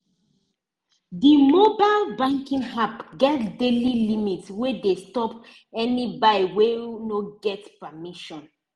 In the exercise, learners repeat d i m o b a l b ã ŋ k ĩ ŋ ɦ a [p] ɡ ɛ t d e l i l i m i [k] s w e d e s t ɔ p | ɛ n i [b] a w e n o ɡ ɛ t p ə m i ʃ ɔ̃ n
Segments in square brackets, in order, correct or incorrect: correct, incorrect, correct

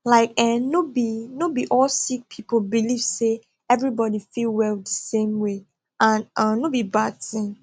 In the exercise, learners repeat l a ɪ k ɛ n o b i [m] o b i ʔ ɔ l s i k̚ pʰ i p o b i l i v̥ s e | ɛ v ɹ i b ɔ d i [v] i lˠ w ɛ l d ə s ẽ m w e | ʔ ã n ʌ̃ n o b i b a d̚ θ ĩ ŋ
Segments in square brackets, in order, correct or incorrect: incorrect, incorrect

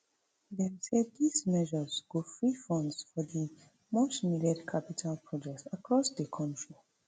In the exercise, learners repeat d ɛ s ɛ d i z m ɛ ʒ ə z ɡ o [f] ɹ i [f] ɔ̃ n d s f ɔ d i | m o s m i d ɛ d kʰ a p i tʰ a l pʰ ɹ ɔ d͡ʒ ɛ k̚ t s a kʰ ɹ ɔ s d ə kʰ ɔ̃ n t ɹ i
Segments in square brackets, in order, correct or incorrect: correct, correct

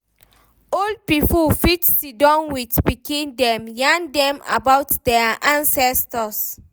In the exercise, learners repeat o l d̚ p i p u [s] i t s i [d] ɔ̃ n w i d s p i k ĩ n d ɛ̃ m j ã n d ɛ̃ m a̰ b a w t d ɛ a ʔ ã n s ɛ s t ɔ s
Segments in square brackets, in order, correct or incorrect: incorrect, correct

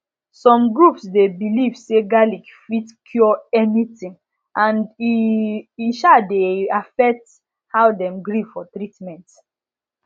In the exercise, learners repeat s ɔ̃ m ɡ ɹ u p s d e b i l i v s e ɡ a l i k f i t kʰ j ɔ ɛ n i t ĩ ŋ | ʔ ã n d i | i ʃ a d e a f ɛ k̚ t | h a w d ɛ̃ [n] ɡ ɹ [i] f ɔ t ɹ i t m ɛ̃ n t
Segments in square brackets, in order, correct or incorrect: incorrect, correct

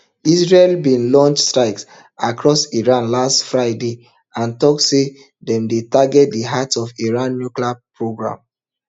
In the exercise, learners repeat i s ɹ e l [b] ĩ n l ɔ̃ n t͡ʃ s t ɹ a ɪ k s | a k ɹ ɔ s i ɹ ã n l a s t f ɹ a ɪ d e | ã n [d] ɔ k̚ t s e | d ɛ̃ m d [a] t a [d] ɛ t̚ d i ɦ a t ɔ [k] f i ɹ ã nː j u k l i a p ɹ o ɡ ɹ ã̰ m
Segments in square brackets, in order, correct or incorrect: correct, incorrect, incorrect, incorrect, incorrect

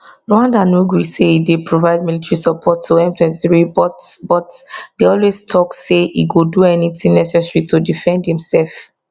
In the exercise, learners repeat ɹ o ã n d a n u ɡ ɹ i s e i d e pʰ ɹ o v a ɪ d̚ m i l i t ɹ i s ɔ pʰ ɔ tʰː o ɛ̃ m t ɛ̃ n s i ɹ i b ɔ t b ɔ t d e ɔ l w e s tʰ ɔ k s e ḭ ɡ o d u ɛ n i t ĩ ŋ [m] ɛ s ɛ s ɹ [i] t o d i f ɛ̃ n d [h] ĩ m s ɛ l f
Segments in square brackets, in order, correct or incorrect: incorrect, correct, correct

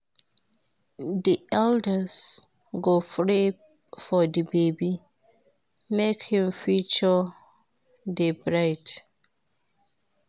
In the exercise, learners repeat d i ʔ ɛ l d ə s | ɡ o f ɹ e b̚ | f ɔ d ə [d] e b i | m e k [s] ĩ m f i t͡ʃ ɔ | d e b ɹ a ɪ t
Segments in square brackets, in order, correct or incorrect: incorrect, incorrect

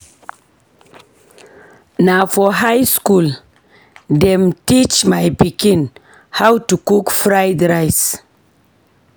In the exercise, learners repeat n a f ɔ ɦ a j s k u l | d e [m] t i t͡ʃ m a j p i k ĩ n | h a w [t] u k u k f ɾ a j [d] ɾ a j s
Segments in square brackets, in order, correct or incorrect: correct, correct, correct

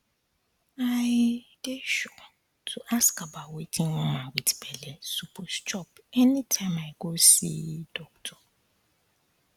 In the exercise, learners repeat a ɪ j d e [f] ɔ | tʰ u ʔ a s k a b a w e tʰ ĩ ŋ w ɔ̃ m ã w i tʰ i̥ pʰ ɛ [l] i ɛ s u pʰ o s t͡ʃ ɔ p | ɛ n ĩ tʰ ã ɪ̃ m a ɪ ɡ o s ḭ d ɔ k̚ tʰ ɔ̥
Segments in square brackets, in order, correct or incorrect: incorrect, correct

